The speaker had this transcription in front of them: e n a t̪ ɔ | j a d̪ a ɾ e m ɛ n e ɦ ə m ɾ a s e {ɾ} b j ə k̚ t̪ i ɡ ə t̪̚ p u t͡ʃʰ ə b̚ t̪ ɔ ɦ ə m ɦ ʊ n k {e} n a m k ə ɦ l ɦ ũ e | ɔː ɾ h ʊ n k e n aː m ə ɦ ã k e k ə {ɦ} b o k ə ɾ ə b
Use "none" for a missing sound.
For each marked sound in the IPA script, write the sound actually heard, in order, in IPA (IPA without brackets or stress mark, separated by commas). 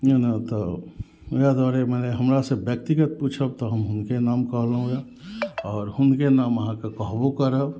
none, e, ɦ